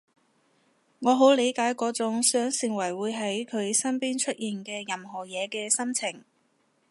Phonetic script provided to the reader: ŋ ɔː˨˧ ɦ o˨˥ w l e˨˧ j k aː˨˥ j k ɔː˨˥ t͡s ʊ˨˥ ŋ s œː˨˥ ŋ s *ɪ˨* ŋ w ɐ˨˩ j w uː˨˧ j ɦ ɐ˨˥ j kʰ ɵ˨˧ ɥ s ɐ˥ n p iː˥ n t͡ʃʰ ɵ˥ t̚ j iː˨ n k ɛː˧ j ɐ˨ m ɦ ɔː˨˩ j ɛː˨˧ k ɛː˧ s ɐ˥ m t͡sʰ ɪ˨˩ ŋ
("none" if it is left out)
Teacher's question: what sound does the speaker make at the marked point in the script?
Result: ɪ˨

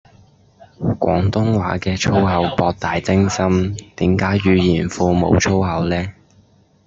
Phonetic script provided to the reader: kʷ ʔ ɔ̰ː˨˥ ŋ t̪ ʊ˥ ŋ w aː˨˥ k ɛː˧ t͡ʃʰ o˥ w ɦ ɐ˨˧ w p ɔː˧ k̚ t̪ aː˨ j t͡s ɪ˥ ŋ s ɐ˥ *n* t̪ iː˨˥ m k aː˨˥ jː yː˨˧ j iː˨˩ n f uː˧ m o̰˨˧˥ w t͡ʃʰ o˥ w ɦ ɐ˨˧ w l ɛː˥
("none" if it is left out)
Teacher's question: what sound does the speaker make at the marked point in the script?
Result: m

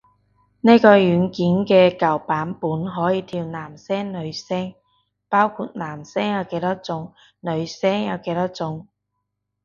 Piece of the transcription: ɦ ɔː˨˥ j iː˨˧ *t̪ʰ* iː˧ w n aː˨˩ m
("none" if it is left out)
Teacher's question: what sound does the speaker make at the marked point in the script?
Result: t̪ʰ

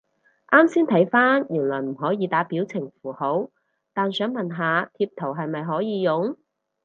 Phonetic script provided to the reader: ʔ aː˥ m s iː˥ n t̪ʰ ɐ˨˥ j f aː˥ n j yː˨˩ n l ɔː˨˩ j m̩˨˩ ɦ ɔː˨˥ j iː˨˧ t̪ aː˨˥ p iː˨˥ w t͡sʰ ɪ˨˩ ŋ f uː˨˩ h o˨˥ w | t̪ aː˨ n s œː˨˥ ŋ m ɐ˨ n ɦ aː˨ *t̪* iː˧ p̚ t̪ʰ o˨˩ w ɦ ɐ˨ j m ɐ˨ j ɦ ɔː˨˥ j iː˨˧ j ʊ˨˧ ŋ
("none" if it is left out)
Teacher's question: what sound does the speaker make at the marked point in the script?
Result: t̪ʰ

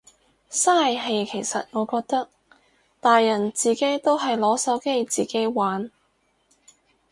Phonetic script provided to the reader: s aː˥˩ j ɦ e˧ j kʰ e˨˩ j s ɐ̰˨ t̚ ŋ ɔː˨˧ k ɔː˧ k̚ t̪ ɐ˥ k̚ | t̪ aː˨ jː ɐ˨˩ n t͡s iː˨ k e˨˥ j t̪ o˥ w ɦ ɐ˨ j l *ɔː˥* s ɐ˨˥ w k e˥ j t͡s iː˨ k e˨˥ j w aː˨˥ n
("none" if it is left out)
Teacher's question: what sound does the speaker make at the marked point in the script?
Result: ɔː˨˥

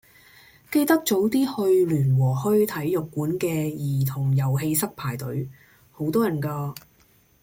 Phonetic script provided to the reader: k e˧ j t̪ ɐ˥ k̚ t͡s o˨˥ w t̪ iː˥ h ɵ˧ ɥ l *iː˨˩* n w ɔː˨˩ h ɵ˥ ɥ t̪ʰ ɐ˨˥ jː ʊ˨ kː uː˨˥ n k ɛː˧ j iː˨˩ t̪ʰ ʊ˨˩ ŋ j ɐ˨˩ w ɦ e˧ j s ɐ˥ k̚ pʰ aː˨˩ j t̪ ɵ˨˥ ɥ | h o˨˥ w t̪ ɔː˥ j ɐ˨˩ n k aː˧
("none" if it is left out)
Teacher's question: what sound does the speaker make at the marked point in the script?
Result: yː˨˩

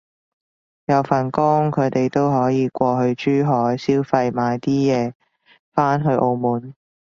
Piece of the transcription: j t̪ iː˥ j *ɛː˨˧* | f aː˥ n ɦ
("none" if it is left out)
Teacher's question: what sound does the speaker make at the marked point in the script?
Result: ɛː˨˧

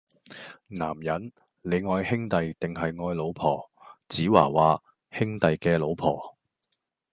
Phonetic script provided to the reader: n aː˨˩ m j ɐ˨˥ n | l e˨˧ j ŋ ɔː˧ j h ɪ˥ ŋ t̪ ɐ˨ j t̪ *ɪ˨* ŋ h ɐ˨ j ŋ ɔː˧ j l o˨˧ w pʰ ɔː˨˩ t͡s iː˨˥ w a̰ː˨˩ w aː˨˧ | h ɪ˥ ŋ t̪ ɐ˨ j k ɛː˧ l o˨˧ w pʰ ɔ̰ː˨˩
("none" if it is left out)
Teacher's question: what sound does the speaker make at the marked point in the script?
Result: ɪ˨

